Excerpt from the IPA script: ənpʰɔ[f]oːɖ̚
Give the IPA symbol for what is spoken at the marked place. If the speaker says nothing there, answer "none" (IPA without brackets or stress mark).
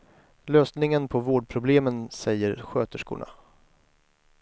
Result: v